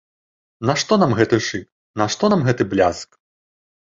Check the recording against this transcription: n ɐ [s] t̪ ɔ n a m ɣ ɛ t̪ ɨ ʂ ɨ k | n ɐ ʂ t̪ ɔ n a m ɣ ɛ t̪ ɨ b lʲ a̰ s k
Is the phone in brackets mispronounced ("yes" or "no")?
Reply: yes